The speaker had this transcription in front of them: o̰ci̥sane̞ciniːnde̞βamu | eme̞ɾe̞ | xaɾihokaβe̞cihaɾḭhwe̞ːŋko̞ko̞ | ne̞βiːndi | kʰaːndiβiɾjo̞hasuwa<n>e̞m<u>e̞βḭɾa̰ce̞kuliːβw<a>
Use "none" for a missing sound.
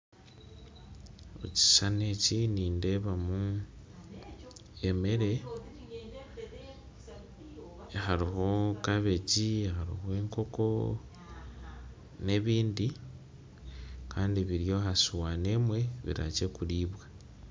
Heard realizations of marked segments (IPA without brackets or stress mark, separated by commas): n, w, a